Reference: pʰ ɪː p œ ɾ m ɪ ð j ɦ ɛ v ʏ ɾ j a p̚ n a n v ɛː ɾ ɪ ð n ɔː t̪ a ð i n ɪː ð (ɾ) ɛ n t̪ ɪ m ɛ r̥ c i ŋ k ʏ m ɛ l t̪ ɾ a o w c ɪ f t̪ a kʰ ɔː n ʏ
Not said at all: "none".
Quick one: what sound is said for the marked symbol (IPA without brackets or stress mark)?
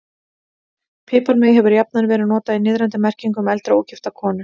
ɾ